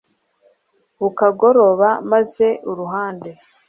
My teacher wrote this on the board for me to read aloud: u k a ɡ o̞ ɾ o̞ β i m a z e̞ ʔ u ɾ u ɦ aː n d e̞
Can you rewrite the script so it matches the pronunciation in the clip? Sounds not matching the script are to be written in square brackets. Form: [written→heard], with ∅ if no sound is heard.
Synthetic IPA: u k a ɡ o̞ ɾ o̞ β [i→a] m a z e̞ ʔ u ɾ u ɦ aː n d e̞

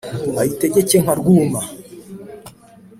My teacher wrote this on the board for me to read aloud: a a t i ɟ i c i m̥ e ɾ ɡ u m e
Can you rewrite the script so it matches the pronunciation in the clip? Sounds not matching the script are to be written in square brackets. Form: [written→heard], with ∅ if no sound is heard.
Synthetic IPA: a [a→i] t [i→e] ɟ [i→e] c [i→e] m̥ [e→a] ɾ ɡ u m [e→a]

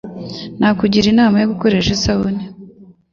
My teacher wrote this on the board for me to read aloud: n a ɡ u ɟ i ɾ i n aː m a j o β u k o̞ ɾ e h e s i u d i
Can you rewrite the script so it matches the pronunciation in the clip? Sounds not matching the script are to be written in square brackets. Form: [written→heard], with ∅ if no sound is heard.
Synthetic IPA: n a [ɡ→k] u ɟ i ɾ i n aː m a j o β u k o̞ ɾ e [h→ʃ] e s [i→a] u [d→n] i

